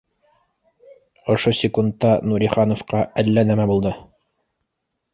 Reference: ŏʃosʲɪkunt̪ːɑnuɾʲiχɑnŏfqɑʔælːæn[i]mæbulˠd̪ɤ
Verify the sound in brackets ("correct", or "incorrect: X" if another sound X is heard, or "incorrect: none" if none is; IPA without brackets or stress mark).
incorrect: æ